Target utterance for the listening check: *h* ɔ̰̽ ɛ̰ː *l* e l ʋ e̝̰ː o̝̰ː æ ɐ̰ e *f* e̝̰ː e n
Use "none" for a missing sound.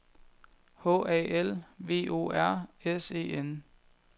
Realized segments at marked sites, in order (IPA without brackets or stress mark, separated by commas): h, none, s